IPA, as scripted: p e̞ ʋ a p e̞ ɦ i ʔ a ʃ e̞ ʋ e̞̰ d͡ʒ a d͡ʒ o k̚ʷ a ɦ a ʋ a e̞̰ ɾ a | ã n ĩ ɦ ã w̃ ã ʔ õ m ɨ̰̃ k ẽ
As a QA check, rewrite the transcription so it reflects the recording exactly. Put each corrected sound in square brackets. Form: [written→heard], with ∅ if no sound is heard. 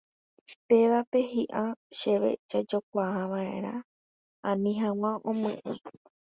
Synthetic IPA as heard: p e̞ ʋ a p e̞ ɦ i ʔ a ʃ e̞ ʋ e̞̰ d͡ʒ a d͡ʒ o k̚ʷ a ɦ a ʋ a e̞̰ ɾ a | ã n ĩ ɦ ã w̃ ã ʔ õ m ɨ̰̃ [k→ʔ] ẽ